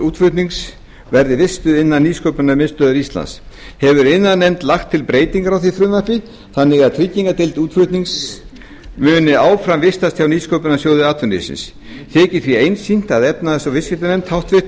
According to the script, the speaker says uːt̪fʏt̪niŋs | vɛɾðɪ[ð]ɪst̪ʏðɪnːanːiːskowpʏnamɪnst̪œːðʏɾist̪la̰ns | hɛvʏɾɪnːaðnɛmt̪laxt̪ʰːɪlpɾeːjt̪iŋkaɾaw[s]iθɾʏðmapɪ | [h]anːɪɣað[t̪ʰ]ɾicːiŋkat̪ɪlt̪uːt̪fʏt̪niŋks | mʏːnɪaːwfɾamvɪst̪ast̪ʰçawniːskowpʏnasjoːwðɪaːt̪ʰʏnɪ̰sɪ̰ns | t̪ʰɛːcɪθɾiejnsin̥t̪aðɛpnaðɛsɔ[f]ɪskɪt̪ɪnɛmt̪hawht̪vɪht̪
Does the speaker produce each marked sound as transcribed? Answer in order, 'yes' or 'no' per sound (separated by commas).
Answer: no, no, no, yes, no